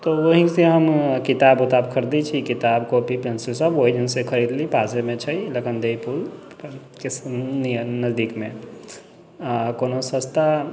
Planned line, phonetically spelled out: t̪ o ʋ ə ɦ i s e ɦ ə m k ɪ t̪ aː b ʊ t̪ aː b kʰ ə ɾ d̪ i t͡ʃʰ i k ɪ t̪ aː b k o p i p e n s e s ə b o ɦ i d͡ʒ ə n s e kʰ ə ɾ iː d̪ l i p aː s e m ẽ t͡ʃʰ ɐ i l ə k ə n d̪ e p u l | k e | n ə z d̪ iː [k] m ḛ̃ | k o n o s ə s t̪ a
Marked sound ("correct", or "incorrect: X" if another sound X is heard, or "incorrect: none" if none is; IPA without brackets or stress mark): correct